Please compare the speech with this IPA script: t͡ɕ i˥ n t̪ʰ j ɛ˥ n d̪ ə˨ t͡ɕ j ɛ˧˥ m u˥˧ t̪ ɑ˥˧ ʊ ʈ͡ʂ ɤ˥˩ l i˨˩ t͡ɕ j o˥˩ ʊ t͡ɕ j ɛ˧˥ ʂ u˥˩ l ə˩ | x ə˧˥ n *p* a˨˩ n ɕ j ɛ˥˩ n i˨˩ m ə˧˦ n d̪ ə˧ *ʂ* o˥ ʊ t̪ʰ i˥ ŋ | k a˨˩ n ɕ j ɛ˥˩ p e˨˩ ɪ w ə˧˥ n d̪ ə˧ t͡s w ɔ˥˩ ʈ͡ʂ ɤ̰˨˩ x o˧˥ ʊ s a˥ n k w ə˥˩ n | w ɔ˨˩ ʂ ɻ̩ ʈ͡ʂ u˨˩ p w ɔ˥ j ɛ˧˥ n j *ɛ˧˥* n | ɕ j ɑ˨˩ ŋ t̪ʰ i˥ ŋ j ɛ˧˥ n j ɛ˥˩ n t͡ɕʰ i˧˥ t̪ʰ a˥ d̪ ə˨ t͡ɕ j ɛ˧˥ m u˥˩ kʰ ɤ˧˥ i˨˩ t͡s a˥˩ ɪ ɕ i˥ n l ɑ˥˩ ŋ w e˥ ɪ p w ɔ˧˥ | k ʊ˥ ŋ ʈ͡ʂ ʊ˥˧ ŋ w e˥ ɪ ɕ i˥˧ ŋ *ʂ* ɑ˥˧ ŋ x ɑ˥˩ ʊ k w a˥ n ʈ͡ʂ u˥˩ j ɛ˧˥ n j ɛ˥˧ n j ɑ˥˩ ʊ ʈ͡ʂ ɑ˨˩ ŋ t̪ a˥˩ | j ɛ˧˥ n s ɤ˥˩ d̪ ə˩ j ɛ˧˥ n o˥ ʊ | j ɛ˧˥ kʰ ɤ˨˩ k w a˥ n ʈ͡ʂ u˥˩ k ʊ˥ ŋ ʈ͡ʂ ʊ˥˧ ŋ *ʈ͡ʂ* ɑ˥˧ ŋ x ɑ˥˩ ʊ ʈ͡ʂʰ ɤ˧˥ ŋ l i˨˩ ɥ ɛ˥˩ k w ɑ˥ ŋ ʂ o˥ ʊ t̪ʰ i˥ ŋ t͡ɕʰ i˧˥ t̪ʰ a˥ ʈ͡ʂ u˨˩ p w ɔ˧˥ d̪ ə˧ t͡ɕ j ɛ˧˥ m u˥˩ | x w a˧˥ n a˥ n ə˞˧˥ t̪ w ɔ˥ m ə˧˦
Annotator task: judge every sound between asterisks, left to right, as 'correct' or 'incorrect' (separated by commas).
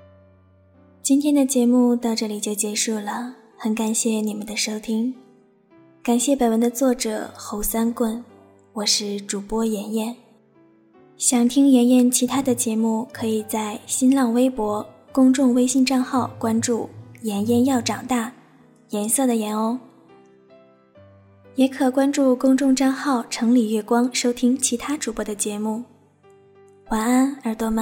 incorrect, correct, incorrect, incorrect, correct